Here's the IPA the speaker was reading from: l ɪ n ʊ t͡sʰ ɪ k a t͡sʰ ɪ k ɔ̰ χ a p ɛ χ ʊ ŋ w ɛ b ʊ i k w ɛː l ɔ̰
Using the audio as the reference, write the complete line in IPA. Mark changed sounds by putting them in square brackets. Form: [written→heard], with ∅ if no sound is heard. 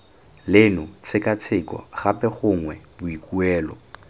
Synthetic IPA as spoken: l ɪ n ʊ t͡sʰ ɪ k a t͡sʰ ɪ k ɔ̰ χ a p ɛ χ ʊ ŋ w ɛ b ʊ i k [w→u] ɛː l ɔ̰